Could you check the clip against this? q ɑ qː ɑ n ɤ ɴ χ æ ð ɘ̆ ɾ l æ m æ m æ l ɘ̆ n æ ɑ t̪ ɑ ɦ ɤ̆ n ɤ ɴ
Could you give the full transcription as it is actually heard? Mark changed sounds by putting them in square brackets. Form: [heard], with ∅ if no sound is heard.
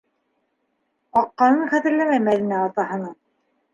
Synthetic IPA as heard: q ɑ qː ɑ n ɤ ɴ χ æ ð ɘ̆ ɾ l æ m æ m æ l ɘ̆ n æ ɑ t̪ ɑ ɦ ɤ̆ n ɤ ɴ